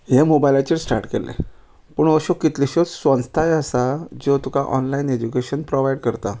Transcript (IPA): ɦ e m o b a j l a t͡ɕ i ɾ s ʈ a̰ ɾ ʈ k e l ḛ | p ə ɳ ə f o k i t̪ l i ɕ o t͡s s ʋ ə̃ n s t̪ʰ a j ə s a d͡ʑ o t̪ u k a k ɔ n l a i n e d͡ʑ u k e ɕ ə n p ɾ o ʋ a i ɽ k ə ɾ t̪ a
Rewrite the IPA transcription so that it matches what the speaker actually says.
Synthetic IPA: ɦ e m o b a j l a t͡ɕ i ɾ s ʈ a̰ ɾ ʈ k e l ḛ | p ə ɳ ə ɕ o k i t̪ l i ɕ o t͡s s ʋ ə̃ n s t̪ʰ a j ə s a d͡ʑ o t̪ u k a ʔ ɔ n l a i n e d͡ʑ u k e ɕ ə n p ɾ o ʋ a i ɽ k ə ɾ t̪ a